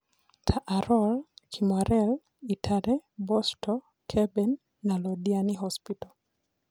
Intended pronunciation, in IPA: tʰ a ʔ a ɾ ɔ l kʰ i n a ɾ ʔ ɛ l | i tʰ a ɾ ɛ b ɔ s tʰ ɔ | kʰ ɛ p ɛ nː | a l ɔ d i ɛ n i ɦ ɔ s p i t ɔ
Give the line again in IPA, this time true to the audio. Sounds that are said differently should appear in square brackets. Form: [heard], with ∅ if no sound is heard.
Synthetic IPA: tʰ a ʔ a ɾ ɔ l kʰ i [m] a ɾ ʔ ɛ l | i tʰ a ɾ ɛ b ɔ s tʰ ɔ | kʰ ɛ [b] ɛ nː | a l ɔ d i [a] n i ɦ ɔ s p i t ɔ